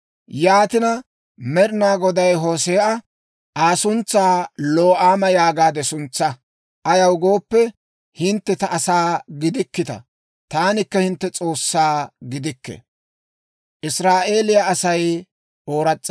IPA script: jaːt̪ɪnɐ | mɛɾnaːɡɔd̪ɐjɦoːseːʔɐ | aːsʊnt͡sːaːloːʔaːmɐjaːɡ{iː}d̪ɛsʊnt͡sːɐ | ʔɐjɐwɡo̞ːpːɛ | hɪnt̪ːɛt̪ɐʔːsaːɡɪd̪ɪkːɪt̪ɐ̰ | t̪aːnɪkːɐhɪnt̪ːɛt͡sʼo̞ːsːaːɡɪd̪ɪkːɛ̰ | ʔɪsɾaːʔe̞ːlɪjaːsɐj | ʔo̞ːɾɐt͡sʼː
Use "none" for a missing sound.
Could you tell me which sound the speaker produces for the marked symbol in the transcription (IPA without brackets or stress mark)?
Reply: aː